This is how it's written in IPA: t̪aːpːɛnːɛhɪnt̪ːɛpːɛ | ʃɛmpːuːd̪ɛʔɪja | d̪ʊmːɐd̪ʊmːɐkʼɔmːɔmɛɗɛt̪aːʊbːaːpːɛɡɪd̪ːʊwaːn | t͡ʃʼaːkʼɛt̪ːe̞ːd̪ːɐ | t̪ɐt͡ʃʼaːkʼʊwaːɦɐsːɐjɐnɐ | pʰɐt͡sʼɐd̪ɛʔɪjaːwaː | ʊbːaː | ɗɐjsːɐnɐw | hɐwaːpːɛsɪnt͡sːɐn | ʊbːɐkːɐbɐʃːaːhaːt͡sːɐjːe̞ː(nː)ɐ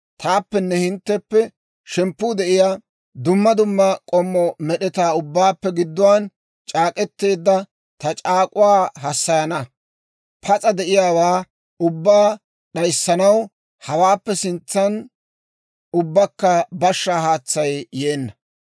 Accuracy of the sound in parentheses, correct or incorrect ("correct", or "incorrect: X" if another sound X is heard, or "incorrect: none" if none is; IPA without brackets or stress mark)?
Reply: correct